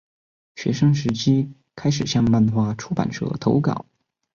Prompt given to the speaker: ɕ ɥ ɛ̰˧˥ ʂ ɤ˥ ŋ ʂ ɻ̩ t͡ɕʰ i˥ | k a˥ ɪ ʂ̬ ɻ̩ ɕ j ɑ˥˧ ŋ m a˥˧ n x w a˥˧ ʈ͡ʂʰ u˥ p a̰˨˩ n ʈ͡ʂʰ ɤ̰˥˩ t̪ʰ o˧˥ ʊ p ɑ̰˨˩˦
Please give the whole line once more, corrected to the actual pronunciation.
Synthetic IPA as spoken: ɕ ɥ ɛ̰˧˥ ʂ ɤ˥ ŋ ʂ ɻ̩ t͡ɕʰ i˥ | kʰ a˥ ɪ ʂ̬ ɻ̩ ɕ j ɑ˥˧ ŋ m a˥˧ n x w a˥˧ ʈ͡ʂʰ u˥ p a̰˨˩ n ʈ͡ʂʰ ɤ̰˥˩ t̪ʰ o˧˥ ʊ k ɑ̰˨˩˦

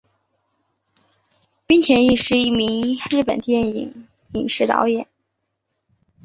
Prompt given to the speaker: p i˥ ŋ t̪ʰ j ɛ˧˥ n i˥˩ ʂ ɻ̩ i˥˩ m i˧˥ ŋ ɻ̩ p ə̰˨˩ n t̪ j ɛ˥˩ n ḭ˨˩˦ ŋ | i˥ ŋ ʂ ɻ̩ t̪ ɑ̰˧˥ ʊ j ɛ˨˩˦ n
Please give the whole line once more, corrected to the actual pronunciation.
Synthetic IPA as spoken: p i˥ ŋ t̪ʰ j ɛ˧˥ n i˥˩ ʂ ɻ̩ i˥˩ m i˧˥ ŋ ɻ̩ p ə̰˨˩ n t̪ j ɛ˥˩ n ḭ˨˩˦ ŋ | i˨˩ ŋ ʂ ɻ̩ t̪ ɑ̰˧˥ ʊ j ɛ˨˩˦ n

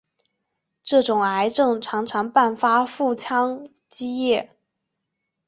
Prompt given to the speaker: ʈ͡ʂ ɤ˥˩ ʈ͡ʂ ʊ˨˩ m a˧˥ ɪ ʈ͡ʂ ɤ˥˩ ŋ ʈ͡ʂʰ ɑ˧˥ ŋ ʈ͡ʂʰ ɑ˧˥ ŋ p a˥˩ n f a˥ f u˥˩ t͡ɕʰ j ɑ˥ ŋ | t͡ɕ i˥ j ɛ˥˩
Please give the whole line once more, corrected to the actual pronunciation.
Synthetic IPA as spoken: ʈ͡ʂ ɤ˥˩ ʈ͡ʂ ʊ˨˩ ŋ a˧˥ ɪ ʈ͡ʂ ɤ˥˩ ŋ ʈ͡ʂʰ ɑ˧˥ ŋ ʈ͡ʂʰ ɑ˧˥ ŋ p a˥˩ n f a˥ f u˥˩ t͡ɕʰ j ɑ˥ ŋ | t͡ɕ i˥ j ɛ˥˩

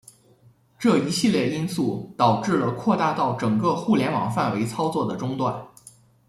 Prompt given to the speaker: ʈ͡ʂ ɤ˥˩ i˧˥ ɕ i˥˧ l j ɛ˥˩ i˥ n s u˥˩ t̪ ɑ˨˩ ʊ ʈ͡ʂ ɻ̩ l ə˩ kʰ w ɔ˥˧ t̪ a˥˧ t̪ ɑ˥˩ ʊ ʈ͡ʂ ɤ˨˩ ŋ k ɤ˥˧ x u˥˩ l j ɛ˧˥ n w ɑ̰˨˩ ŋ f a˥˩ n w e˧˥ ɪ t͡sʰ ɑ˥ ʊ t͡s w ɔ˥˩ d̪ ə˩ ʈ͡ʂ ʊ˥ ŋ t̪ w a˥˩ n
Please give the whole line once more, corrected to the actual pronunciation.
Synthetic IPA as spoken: ʈ͡ʂ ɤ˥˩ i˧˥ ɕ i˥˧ l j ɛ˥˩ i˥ n s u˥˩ t̪ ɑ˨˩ ʊ ʈ͡ʂ ɻ̩ l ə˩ kʰ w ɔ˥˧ t̪ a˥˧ t̪ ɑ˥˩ ʊ ʈ͡ʂ ɤ˨˩ ŋ k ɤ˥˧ x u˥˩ l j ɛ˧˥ n w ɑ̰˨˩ ŋ f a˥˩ n w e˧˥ ɪ t͡sʰ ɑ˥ ʊ t͡s w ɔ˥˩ d̪ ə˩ ʈ͡ʂ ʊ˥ ŋ t̪ w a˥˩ n

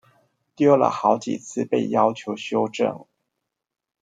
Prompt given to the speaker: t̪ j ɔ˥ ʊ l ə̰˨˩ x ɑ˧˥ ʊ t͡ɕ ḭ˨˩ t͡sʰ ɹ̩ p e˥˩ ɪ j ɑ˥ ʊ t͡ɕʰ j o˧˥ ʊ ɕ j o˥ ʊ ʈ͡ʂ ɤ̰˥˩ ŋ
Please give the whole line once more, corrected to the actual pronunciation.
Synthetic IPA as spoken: t̪ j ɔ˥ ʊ l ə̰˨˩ x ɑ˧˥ ʊ t͡ɕ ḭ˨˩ t͡sʰ ɹ̩ p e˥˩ ɪ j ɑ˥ ʊ t͡ɕʰ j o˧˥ ʊ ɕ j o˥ ʊ ʈ͡ʂ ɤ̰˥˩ ŋ

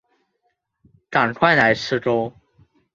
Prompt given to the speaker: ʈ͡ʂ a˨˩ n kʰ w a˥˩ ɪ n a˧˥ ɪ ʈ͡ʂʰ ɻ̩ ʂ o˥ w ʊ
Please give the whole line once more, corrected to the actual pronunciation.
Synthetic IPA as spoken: ʈ͡ʂ a˨˩ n kʰ w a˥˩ ɪ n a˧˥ ɪ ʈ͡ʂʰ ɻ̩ ʈ͡ʂ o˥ ʊ

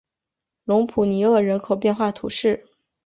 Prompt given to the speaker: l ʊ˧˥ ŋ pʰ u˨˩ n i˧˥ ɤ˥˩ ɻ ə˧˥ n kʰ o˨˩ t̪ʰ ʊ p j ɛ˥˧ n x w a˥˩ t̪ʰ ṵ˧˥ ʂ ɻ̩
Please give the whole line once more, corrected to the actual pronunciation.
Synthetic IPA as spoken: l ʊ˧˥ ŋ pʰ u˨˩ n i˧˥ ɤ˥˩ ɻ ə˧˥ n kʰ o˨˩ ʊ p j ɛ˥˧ n x w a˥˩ t̪ʰ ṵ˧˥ ʂ ɻ̩

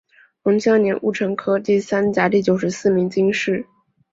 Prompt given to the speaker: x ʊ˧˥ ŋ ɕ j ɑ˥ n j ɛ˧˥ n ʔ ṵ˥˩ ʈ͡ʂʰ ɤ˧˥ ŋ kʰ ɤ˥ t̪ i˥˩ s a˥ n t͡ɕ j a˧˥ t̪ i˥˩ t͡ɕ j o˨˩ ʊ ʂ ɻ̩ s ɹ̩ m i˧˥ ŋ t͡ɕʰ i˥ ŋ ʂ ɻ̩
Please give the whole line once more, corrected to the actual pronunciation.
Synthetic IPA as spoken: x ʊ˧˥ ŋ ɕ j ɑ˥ n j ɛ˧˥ n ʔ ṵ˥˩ ʈ͡ʂʰ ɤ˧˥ ŋ kʰ ɤ˥ t̪ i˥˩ s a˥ n t͡ɕ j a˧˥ t̪ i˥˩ t͡ɕ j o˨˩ ʊ ʂ ɻ̩ s ɹ̩ m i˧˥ ŋ t͡ɕ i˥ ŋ ʂ ɻ̩

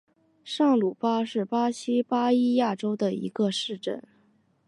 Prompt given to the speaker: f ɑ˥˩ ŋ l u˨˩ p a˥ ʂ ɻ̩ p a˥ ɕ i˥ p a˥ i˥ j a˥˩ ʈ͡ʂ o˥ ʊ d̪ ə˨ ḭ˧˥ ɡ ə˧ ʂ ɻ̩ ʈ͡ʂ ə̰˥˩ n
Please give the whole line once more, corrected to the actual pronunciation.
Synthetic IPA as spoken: ʂ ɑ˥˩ ŋ l u˨˩ p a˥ ʂ ɻ̩ p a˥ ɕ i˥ p a˥ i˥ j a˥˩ ʈ͡ʂ o˥ ʊ d̪ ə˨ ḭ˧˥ ɡ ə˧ ʂ ɻ̩ ʈ͡ʂ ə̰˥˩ n

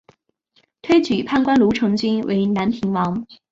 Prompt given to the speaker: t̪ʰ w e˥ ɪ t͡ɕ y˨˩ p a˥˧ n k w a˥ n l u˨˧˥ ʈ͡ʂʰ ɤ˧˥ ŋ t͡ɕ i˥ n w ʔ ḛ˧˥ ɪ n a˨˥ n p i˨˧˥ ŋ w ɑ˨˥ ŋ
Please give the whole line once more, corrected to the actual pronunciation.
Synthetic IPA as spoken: t̪ʰ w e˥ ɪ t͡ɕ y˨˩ pʰ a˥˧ n k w a˥ n l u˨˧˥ ʈ͡ʂʰ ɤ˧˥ ŋ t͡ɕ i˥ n w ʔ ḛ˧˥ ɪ n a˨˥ n pʰ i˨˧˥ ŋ w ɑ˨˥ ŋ

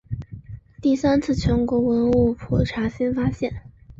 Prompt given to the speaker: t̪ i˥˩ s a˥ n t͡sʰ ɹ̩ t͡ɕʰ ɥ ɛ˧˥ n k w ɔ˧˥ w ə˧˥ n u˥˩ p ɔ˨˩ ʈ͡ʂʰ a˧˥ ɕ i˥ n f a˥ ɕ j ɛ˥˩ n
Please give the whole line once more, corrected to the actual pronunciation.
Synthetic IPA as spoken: t̪ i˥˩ s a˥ n t͡sʰ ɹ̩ t͡ɕʰ ɥ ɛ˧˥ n k w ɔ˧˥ w ə˧˥ n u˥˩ pʰ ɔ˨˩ ʈ͡ʂʰ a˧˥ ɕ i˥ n f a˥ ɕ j ɛ˥˩ n

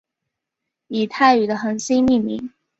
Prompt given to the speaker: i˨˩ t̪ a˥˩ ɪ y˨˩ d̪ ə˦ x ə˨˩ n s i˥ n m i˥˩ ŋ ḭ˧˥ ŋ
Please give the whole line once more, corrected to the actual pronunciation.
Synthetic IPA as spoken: i˨˩ t̪ʰ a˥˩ ɪ y˨˩ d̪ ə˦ x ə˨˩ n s i˥ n m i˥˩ m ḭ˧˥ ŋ

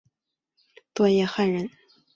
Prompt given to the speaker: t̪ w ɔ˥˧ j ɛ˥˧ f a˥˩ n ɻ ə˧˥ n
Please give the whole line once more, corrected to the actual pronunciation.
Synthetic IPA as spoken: t̪ w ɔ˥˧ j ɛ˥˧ x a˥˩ n ɻ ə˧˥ n

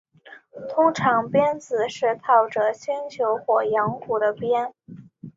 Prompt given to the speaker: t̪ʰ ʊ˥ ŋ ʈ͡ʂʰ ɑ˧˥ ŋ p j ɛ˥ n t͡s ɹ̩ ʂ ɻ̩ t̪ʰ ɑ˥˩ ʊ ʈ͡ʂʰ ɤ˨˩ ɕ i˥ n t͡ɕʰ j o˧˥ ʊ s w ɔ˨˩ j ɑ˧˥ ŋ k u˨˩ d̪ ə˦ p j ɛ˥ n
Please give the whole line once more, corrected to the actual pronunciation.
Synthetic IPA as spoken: t̪ʰ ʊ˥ ŋ ʈ͡ʂʰ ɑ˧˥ ŋ p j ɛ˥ n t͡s ɹ̩ ʂ ɻ̩ t̪ʰ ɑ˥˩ ʊ ʈ͡ʂ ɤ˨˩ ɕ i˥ n t͡ɕʰ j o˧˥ ʊ x w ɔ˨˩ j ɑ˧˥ ŋ k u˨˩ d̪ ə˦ p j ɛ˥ n

